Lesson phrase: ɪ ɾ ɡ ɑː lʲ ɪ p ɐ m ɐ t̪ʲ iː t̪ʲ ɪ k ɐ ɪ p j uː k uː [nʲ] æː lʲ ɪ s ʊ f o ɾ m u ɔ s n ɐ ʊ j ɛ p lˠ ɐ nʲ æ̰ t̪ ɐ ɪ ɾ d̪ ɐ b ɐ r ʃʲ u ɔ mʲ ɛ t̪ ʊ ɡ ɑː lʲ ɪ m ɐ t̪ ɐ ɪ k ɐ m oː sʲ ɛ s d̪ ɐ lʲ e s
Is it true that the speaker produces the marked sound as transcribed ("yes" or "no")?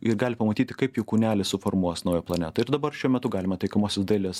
yes